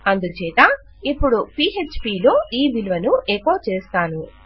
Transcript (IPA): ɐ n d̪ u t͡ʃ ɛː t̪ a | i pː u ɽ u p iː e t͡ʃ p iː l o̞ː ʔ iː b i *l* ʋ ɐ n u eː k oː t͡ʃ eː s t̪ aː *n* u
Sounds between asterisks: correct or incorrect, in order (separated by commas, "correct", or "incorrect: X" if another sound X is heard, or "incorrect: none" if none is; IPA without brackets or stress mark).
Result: correct, correct